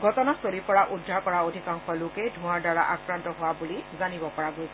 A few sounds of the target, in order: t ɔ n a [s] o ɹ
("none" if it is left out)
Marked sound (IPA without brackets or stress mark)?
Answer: s